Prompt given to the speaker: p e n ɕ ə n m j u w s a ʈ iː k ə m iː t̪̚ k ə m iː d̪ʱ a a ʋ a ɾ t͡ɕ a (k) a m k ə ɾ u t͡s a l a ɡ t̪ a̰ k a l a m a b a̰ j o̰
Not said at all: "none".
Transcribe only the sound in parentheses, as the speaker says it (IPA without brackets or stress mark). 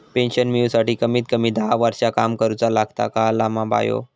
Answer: k